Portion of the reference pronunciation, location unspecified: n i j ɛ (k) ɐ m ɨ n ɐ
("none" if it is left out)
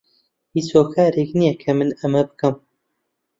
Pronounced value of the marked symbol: kʰ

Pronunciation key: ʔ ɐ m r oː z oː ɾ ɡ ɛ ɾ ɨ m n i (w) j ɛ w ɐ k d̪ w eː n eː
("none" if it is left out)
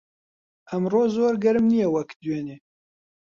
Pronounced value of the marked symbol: none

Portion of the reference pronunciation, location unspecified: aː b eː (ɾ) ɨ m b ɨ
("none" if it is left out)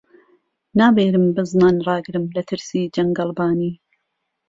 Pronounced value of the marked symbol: ɾ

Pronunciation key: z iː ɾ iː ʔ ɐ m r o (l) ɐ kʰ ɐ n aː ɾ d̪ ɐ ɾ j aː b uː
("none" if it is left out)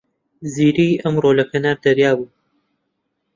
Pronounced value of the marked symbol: l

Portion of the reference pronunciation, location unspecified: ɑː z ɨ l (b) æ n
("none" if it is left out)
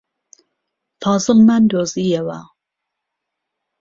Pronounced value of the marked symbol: m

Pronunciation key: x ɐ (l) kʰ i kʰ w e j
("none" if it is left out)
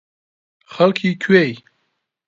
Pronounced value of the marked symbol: l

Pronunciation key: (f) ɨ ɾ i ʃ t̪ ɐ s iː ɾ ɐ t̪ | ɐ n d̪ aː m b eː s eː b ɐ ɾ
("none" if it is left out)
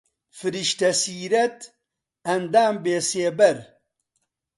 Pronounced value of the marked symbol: f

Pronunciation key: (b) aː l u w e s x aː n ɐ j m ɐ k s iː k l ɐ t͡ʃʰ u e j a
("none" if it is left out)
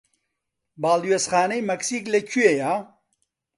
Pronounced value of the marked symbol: b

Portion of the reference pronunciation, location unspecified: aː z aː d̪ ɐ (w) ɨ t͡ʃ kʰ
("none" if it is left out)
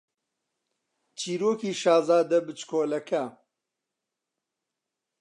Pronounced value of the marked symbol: b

